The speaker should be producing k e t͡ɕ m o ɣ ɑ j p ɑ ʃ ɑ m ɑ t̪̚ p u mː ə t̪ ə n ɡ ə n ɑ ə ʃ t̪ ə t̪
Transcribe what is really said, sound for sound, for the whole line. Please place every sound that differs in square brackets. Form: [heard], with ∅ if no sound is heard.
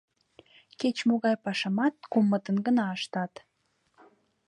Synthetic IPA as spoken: k e t͡ɕ m o ɣ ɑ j p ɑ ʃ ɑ m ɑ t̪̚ [k] u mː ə t̪ ə n ɡ ə n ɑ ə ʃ t̪ [ɑ] t̪